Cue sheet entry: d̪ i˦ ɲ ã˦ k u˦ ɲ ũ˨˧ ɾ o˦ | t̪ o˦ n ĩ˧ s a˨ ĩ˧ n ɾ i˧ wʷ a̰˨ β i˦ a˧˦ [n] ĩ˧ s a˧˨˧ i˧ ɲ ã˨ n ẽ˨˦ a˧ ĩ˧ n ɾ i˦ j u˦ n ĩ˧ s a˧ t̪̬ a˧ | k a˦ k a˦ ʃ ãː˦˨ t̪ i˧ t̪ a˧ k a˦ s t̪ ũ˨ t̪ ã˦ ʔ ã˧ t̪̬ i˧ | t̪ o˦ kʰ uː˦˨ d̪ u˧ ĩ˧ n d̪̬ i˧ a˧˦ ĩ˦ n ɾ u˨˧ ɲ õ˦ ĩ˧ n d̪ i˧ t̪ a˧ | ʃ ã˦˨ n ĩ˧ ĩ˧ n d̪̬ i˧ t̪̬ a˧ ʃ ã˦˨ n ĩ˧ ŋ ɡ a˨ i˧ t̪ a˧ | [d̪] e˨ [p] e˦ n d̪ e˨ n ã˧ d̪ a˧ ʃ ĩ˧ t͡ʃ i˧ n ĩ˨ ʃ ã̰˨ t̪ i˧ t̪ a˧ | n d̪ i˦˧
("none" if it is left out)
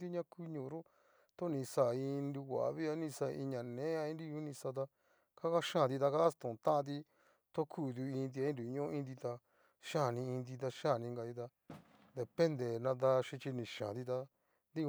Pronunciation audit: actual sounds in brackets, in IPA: n, d̪, p

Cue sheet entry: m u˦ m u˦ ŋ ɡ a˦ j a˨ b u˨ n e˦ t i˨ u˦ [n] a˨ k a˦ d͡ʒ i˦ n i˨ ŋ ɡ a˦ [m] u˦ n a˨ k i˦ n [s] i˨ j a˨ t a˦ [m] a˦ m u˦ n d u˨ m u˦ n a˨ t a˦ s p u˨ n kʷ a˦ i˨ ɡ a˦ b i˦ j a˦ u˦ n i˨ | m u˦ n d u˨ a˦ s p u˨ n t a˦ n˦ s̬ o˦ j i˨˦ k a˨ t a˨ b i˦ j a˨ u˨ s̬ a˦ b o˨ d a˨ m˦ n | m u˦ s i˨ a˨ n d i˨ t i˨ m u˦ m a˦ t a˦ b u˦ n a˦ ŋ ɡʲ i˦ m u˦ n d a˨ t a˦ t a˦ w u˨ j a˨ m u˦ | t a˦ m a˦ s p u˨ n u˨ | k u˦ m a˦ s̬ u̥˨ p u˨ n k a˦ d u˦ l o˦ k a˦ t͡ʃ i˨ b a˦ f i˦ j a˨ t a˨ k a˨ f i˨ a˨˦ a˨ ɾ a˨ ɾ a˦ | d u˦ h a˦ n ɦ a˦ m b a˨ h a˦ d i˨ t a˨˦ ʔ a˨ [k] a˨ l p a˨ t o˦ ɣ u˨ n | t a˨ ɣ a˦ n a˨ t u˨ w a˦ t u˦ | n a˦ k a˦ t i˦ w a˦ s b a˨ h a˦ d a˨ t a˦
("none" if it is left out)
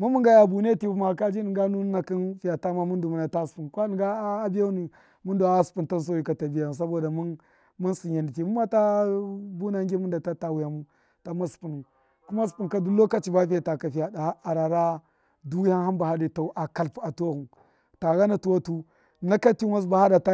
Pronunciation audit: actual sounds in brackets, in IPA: m, n, f, m, k

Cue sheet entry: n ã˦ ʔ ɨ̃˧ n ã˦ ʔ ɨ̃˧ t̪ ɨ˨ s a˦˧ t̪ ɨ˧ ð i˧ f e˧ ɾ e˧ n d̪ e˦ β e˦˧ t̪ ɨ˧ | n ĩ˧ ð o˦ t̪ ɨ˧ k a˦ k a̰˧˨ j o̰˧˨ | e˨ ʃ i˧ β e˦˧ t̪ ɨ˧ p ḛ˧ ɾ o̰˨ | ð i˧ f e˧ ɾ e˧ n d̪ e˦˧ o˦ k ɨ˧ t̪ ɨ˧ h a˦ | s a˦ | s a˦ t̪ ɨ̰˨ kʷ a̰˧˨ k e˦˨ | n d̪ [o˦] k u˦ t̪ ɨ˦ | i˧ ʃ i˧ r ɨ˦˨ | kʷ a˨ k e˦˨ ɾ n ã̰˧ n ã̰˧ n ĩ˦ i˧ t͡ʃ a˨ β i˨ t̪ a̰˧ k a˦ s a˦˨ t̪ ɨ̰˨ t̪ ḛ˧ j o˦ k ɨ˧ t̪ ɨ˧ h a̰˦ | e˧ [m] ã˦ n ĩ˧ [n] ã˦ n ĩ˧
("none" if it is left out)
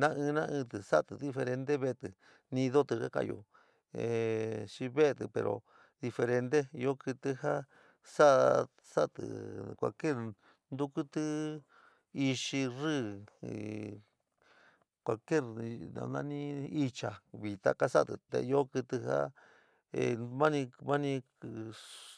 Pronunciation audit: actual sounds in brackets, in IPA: u˦, m, m

